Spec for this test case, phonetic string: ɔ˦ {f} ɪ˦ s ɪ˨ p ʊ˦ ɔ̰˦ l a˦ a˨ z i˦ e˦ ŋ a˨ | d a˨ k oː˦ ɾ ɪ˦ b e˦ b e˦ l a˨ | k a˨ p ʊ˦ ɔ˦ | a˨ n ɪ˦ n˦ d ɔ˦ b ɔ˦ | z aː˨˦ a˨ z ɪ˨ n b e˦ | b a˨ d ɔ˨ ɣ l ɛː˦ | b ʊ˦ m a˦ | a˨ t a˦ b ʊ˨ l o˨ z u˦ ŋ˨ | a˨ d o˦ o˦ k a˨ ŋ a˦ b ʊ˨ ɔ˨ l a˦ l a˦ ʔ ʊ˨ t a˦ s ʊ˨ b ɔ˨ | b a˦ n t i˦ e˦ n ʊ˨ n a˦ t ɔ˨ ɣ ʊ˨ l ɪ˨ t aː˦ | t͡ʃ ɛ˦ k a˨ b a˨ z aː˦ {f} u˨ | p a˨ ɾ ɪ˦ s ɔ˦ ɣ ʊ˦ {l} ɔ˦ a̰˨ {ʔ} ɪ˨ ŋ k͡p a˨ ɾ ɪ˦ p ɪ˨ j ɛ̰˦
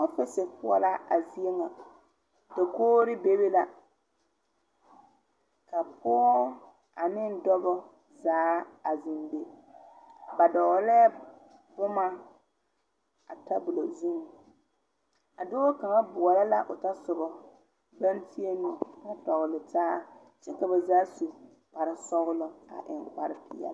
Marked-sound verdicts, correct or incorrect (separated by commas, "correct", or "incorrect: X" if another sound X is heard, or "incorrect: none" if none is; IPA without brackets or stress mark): correct, incorrect: s, correct, correct